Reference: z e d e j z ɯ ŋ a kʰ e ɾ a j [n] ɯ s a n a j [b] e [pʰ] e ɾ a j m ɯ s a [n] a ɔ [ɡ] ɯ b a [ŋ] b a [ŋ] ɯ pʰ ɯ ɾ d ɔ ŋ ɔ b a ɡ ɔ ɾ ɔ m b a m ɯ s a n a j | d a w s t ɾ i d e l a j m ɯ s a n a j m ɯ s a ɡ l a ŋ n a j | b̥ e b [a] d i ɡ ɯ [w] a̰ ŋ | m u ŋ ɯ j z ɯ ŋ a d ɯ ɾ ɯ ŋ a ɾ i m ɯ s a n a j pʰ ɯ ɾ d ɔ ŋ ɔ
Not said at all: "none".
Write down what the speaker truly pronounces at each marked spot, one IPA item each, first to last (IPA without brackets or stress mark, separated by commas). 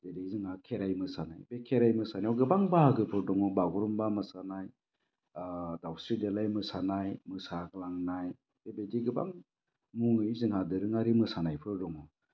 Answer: m, b, kʰ, n, ɡ, ŋ, ɡ, e, b